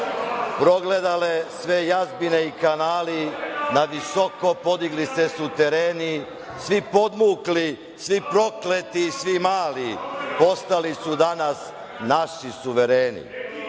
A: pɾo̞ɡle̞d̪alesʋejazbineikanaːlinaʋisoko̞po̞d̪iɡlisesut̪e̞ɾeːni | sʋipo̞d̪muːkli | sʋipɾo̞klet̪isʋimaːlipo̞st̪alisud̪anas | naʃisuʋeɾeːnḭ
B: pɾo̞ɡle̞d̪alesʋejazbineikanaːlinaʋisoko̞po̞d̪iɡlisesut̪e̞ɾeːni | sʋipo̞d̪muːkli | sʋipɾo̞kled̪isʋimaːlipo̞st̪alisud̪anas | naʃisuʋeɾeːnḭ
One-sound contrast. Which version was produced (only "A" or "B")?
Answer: A